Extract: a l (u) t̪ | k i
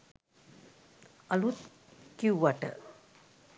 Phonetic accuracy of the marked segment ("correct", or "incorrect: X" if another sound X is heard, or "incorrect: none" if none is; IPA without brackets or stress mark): correct